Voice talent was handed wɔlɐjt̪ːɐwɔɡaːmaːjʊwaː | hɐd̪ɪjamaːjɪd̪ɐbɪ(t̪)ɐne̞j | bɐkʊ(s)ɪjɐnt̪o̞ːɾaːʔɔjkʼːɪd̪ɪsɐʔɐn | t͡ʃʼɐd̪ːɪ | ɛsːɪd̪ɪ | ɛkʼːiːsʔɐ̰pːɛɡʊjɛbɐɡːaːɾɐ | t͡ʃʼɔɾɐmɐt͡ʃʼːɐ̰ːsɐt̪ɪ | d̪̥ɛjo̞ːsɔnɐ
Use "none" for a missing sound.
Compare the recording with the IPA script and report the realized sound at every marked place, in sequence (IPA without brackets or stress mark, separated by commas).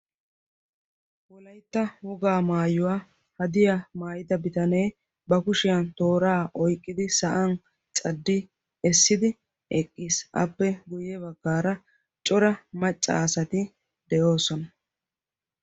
t̪, ʃ